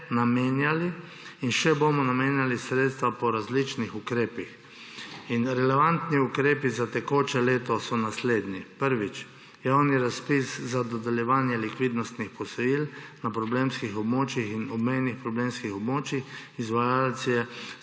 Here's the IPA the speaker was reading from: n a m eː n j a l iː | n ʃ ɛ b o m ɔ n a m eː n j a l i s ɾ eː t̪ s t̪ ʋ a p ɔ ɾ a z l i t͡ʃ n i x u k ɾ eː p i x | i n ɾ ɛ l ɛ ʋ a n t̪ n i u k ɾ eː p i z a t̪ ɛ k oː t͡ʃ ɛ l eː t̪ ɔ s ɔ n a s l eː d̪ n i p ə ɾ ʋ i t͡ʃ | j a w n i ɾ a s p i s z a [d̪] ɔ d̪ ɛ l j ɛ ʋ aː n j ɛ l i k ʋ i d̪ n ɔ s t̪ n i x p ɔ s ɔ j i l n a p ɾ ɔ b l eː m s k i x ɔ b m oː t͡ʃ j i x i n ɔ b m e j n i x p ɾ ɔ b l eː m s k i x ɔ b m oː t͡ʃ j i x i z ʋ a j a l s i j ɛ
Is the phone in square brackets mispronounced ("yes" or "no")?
no